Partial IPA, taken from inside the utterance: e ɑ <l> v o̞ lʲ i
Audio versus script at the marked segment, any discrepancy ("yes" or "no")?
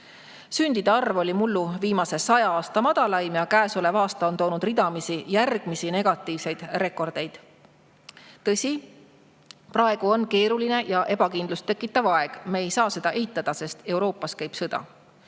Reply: yes